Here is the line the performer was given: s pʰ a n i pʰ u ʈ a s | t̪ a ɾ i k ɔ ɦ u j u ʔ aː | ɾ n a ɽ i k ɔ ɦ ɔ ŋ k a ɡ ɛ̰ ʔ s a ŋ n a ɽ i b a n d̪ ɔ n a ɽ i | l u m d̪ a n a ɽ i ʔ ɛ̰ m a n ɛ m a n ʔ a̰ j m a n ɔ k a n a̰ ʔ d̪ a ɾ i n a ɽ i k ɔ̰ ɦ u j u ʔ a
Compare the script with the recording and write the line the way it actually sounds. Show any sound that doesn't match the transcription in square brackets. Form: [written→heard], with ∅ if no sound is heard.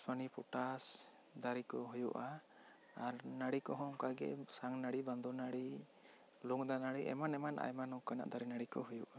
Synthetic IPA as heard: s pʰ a n i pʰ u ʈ a s | [t̪→d̪] a ɾ i k ɔ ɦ u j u ʔ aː | ɾ n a ɽ i k ɔ ɦ ɔ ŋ k a ɡ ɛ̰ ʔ s a ŋ n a ɽ i b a n d̪ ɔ n a ɽ i | l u [m→ŋ] d̪ a n a ɽ i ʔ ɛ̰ m a n ɛ m a n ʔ a̰ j m a n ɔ k a n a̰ ʔ d̪ a ɾ i n a ɽ i k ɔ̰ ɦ u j u ʔ a